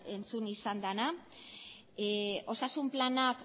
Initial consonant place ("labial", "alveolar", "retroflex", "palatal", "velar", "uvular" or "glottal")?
alveolar